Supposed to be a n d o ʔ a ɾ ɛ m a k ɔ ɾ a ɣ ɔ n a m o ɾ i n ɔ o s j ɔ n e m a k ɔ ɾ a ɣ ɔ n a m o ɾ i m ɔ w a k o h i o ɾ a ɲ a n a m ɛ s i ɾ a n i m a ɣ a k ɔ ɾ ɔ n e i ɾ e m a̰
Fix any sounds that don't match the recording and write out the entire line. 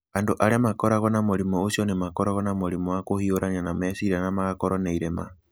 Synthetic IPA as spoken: a n d o ʔ a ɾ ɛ m a k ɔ ɾ a ɣ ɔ n a m o ɾ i m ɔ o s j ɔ n e m a k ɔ ɾ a ɣ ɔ n a m o ɾ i m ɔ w a k o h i o ɾ a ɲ a n a m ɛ s i ɾ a n a m a ɣ a k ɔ ɾ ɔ n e i ɾ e m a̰